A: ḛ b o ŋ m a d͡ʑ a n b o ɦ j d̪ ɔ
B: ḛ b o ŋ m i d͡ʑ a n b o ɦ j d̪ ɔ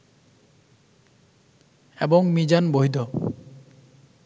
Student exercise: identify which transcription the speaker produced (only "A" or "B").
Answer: B